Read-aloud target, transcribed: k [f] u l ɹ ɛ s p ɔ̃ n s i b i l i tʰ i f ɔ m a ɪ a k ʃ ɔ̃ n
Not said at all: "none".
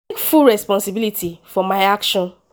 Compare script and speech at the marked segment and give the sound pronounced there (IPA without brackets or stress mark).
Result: f